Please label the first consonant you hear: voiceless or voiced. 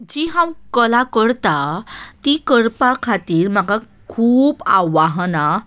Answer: voiced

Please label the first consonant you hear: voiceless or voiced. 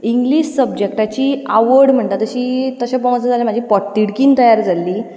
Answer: voiced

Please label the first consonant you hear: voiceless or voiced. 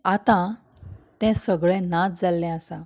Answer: voiceless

